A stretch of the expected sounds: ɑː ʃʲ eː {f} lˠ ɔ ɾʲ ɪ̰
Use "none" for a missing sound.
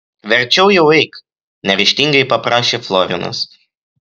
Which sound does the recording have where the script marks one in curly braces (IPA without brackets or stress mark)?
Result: f